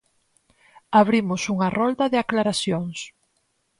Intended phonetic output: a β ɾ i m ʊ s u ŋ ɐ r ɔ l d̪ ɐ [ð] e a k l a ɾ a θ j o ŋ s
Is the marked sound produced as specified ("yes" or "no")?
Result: yes